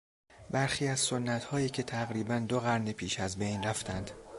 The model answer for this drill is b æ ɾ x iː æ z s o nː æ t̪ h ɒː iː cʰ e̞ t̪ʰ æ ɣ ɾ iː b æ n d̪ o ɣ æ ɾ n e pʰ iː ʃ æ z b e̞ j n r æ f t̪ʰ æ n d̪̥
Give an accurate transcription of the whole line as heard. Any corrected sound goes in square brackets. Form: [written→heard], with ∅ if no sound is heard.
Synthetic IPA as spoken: b æ ɾ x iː æ z s o nː æ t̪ h ɒː iː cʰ e̞ t̪ʰ æ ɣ ɾ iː b æ n d̪ o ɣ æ ɾ n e pʰ iː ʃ æ z b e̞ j n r æ f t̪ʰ æ n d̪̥